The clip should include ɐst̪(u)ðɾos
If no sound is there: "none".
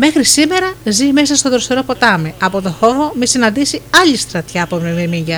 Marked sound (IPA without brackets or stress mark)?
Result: o